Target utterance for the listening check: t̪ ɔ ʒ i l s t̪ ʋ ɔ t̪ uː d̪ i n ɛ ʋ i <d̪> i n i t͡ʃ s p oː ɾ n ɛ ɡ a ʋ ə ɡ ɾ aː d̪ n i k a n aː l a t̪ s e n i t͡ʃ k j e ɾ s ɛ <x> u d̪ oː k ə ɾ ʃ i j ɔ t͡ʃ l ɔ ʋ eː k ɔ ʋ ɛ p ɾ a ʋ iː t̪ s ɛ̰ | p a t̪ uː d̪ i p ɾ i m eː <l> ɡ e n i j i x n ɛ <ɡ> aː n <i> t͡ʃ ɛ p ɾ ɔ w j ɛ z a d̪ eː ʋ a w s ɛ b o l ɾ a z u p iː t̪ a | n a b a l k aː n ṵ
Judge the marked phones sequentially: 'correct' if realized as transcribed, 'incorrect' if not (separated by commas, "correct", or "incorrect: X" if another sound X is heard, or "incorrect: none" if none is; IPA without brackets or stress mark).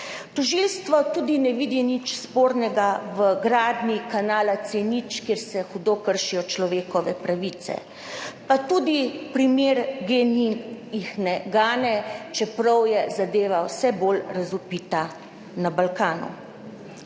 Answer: correct, correct, incorrect: ɾ, correct, incorrect: ɛ